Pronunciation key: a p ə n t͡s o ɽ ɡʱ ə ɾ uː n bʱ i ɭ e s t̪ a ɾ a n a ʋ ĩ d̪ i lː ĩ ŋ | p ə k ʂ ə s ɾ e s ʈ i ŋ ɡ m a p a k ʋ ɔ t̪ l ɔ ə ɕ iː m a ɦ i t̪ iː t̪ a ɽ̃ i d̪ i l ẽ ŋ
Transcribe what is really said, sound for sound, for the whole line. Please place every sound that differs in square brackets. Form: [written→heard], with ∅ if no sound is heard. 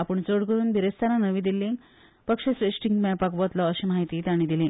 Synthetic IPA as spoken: a p ə [n→ɳ] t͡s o ɽ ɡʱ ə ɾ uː n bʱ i [ɭ→ɾ] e s t̪ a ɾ a n [a→ə] ʋ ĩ d̪ i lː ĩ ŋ | p ə k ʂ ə s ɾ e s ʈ i ŋ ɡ m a p a k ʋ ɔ t̪ l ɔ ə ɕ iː m a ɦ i t̪ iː t̪ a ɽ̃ i d̪ i l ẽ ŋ